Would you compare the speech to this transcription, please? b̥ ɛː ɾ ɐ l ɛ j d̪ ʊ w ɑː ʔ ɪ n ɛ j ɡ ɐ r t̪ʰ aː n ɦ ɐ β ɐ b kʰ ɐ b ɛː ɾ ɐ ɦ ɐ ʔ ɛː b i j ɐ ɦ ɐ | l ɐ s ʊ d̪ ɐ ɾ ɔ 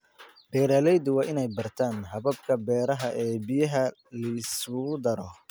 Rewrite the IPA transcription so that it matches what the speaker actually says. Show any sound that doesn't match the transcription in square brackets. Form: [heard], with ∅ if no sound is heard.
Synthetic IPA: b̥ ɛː ɾ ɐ l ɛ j d̪ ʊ w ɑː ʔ ɪ n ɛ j [b] ɐ r t̪ʰ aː n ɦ ɐ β ɐ b kʰ ɐ b ɛː ɾ ɐ ɦ ɐ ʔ ɛː b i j ɐ ɦ ɐ | l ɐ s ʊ d̪ ɐ ɾ ɔ

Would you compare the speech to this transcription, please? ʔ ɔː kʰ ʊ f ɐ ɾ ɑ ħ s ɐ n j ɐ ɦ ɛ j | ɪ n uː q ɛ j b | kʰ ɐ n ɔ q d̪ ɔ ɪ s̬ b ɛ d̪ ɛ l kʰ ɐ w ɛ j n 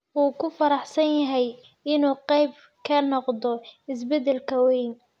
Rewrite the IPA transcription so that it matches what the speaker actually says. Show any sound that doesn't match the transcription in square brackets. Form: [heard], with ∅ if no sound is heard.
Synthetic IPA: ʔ [uː] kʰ ʊ f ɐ ɾ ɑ ħ s ɐ n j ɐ ɦ ɛ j | ɪ n uː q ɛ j b | kʰ ɐ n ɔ q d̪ ɔ ɪ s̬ b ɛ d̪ ɛ l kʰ ɐ w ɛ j n

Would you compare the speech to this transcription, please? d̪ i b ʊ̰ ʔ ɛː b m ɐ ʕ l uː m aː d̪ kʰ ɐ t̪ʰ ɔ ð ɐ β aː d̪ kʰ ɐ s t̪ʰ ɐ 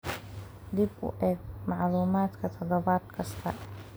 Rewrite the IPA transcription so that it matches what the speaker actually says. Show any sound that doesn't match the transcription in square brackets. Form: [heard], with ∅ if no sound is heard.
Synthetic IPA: d̪ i b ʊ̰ ʔ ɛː [ɡ] m [ɑ] ʕ l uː m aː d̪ kʰ ɐ t̪ʰ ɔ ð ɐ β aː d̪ kʰ ɐ s t̪ʰ ɐ

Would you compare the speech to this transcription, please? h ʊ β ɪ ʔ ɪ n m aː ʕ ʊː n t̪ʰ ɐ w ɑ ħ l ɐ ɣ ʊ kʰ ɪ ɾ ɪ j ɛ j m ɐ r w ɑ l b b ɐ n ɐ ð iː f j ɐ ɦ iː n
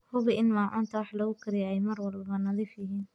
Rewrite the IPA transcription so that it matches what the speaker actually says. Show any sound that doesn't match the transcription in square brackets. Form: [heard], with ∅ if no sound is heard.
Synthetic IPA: h ʊ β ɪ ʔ ɪ n m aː ʕ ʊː n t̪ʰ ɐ w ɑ ħ l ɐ ɣ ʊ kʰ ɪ ɾ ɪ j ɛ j m ɐ r w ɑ l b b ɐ n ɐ ð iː f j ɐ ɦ iː n

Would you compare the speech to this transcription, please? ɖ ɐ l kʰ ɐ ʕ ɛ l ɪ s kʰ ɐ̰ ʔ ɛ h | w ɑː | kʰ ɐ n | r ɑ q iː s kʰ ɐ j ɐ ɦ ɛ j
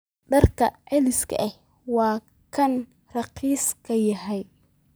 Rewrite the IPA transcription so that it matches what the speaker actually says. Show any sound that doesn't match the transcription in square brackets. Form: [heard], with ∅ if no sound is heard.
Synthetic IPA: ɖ ɐ [r] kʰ ɐ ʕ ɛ l ɪ s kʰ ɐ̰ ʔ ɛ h | w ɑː | kʰ ɐ n | r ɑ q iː s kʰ ɐ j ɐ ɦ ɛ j

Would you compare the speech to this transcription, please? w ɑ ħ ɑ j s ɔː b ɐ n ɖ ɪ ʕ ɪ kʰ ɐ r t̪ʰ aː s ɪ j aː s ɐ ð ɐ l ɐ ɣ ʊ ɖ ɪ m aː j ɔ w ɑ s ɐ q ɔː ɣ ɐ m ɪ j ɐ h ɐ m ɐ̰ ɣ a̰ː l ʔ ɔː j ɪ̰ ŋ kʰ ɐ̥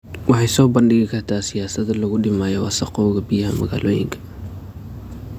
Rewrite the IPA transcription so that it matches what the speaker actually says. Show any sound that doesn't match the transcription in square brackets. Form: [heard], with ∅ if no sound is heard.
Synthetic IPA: w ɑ ħ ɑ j s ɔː b ɐ n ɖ ɪ [ɣ] ɪ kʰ ɐ r t̪ʰ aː s ɪ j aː s ɐ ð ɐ l ɐ ɣ ʊ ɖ ɪ m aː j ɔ w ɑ s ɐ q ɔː ɣ ɐ [b] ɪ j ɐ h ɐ m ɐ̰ ɣ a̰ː l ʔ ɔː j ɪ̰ ŋ kʰ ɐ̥

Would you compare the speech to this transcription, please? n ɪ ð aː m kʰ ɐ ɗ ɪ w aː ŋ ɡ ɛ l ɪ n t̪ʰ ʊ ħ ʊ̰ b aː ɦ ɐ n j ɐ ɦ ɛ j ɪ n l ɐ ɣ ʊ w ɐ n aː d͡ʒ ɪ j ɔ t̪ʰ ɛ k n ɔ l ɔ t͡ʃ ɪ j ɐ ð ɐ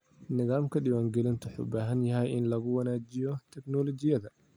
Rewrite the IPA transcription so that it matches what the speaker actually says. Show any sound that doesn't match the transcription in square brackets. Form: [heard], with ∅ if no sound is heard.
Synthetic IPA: n ɪ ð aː m kʰ ɐ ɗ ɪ w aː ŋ ɡ ɛ l ɪ n t̪ʰ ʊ ħ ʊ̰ b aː ɦ ɐ n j ɐ ɦ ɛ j ɪ n l ɐ ɣ ʊ w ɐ n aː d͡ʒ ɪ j ɔ t̪ʰ ɛ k n ɔ l ɔ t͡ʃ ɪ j ɐ ð ɐ

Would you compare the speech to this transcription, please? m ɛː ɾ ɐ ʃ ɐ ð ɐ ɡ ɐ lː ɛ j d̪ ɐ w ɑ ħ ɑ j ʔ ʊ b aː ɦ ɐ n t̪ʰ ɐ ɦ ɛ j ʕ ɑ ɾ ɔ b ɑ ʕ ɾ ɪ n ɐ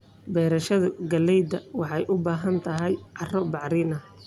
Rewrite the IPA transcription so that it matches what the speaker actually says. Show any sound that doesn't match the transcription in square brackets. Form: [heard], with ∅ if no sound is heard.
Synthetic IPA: [b] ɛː ɾ ɐ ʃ ɐ ð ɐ ɡ ɐ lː ɛ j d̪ ɐ w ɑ ħ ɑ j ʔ ʊ b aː ɦ ɐ n t̪ʰ ɐ ɦ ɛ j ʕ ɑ [r] ɔ b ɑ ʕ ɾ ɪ n ɐ

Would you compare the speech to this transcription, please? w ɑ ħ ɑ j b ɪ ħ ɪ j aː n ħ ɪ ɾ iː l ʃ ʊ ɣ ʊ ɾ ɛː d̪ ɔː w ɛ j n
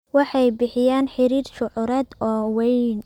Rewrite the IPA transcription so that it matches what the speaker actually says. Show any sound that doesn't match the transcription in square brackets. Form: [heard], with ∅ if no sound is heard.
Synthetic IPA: w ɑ ħ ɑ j b ɪ ħ ɪ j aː n ħ ɪ ɾ iː [r] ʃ ʊ [ʕ] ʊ ɾ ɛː d̪ ɔː w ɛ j n

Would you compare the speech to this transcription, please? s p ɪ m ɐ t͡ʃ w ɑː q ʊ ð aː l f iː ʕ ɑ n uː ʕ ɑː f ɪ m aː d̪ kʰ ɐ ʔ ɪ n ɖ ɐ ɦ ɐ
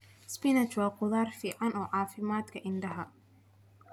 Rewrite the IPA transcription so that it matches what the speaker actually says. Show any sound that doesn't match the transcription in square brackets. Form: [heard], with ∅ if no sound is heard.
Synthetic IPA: s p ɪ [n] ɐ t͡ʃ w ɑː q ʊ ð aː [r] f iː ʕ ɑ n [ɔː] ʕ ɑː f ɪ m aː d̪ kʰ ɐ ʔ ɪ n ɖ ɐ ɦ ɐ

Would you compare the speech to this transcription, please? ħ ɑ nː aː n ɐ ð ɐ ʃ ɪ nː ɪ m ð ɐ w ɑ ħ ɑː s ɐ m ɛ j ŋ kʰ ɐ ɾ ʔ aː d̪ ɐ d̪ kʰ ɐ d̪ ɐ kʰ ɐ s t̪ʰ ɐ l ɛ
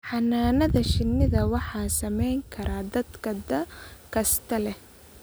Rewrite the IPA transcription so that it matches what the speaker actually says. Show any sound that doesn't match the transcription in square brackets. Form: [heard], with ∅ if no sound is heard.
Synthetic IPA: ħ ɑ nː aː n ɐ ð ɐ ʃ ɪ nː ɪ [∅] ð ɐ w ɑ ħ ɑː s ɐ m ɛ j ŋ kʰ ɐ ɾ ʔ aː d̪ ɐ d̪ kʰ ɐ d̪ ɐ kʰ ɐ s t̪ʰ ɐ l ɛ

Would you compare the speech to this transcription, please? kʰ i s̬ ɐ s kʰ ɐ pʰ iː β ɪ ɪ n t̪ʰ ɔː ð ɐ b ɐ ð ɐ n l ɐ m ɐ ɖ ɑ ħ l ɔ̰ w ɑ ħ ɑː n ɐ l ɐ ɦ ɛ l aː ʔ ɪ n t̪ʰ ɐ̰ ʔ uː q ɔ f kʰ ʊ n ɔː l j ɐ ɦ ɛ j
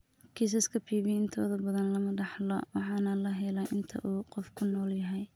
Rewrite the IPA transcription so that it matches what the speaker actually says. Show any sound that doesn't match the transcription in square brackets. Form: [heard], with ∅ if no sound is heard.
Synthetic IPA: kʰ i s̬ ɐ s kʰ ɐ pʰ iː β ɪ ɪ n t̪ʰ ɔː ð ɐ b ɐ ð ɐ n l ɐ m ɐ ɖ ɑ ħ l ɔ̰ w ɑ ħ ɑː n ɐ l ɐ ɦ ɛ l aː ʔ ɪ n t̪ʰ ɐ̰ ʔ uː q ɔ f kʰ ʊ n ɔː l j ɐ ɦ ɛ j

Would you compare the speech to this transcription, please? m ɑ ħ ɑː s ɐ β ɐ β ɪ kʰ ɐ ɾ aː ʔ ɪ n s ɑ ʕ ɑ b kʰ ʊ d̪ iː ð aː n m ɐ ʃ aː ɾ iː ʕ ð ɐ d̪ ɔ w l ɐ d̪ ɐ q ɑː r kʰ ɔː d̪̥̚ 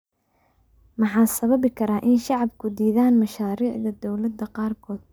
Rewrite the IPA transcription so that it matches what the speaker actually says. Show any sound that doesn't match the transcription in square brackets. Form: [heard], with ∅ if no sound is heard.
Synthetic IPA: m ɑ ħ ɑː s ɐ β ɐ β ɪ kʰ ɐ ɾ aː ʔ ɪ n [ʃ] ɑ ʕ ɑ b kʰ ʊ d̪ iː ð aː n m ɐ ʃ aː ɾ iː ʕ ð ɐ d̪ ɔ w l ɐ d̪ ɐ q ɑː r kʰ ɔː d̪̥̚

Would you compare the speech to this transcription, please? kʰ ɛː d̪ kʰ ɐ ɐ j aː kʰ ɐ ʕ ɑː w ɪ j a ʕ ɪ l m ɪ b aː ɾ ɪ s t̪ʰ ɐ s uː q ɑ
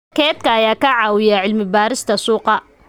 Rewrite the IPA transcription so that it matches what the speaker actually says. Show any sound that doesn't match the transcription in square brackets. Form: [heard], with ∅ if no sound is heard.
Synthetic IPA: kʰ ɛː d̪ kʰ ɐ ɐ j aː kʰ ɐ ʕ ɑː w ɪ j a ʕ ɪ l m ɪ b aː ɾ ɪ s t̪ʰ ɐ s uː q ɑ

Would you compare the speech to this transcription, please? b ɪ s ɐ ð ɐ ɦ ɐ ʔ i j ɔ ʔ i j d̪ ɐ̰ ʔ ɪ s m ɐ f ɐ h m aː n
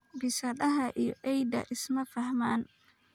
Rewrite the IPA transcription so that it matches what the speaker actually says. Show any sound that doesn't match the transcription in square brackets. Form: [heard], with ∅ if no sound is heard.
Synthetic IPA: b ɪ s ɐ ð ɐ ɦ ɐ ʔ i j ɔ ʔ [ɛ] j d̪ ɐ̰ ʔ ɪ s m ɐ f ɐ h m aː n

